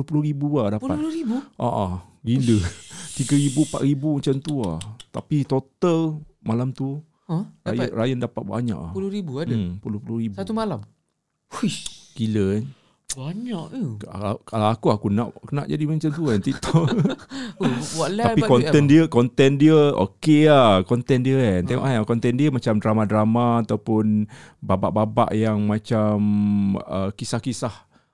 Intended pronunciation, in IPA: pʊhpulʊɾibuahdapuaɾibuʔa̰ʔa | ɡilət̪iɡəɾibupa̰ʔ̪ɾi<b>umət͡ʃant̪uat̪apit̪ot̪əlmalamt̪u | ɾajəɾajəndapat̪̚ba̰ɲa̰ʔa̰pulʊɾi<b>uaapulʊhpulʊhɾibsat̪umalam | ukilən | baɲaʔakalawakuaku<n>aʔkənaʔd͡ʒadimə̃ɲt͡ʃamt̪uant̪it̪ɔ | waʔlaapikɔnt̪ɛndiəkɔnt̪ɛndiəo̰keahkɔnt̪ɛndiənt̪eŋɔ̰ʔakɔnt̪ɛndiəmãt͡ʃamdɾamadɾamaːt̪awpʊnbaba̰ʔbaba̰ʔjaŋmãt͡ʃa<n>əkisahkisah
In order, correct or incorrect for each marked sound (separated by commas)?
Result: correct, correct, correct, incorrect